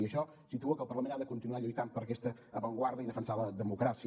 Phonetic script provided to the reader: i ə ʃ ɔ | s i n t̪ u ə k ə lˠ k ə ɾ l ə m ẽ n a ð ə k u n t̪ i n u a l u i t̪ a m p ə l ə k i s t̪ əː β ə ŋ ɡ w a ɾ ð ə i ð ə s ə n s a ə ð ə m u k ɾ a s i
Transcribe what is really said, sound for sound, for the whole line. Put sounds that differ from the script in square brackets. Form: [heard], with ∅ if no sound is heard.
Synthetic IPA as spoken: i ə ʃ ɔ | s i [∅] t̪ u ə k ə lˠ [p] ə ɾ l ə m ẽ n a ð ə k u n t̪ i n u a [ʎ] u [j] t̪ a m p ə [ɾ] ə k [ɛ] s t̪ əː β ə ŋ ɡ w a ɾ ð ə i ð ə [f] ə n s a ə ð ə m u k ɾ a s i